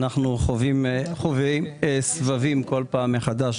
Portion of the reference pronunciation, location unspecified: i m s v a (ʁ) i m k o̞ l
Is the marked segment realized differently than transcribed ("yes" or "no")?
yes